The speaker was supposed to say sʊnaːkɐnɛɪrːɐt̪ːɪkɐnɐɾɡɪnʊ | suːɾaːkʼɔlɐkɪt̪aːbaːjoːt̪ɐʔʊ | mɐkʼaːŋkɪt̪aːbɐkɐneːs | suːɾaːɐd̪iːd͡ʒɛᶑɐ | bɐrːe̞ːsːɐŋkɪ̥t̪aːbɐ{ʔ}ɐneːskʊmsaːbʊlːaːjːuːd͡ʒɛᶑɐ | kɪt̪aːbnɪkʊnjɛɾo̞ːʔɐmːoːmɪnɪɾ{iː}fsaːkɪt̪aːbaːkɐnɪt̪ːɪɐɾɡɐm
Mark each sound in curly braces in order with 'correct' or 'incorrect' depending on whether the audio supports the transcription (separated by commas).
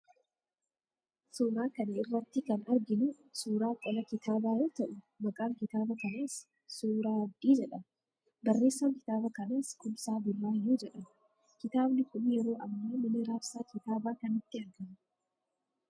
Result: incorrect, incorrect